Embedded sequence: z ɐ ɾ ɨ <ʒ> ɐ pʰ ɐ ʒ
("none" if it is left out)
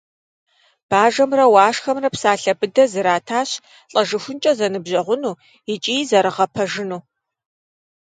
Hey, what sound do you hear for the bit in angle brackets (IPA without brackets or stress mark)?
ʁ